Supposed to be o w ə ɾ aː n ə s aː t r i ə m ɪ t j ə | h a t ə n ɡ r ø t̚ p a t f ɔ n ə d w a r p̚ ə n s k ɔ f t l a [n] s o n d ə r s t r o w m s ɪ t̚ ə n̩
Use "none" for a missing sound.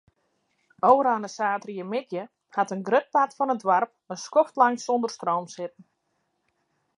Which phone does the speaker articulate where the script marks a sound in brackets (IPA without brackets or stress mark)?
ŋ